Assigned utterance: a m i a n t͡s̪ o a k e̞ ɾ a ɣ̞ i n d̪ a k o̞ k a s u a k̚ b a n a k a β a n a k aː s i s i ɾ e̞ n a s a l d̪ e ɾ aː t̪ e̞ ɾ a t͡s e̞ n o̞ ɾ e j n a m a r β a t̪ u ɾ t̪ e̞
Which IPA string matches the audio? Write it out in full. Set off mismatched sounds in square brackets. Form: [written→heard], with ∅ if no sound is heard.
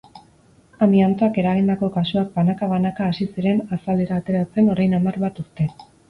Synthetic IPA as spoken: a m i a n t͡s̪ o a k e̞ ɾ a ɣ̞ i n d̪ a k o̞ k a s u a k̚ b a n a k a β a n a k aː s i s i ɾ e̞ n a s a l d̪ e ɾ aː t̪ e̞ ɾ a t͡s e̞ n o̞ ɾ [e→a] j n a m a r β a t̪ u ɾ t̪ e̞

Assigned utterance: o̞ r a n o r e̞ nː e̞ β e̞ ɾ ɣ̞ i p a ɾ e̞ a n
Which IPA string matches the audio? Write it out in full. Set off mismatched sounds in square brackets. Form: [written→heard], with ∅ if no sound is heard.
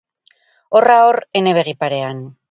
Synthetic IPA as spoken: o̞ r a [n→∅] o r e̞ [nː→n] e̞ β e̞ [ɾ→∅] ɣ̞ i p a ɾ e̞ a n

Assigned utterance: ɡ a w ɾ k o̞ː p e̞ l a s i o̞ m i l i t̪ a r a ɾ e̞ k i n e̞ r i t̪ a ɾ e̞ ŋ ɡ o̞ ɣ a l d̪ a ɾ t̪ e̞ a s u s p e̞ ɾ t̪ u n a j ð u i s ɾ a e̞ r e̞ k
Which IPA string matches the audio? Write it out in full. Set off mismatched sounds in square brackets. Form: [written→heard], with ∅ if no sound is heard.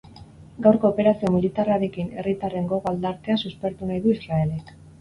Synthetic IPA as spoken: ɡ a w ɾ k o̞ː p e̞ [l→ɾ] a s i o̞ m i l i t̪ a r a ɾ e̞ k i n e̞ r i t̪ a [ɾ→r] e̞ ŋ ɡ o̞ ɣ a l d̪ a ɾ t̪ e̞ a s u s p e̞ ɾ t̪ u n a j ð u i s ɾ a e̞ [r→l] e̞ k

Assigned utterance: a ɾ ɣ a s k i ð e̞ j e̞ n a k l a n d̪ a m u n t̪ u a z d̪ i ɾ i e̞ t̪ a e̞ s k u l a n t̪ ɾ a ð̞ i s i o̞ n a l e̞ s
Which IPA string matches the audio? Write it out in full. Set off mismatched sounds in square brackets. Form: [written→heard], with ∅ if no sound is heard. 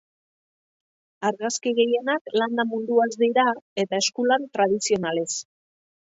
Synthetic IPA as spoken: a ɾ ɣ a s k i [ð→ɣ] e̞ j e̞ n a k l a n d̪ a m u n [t̪→d̪] u a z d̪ i ɾ [i→a] e̞ t̪ a e̞ s k u l a n t̪ ɾ a ð̞ i s i o̞ n a l e̞ s

